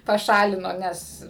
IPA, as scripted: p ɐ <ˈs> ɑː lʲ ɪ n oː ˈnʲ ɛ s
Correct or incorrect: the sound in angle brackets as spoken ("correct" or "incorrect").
incorrect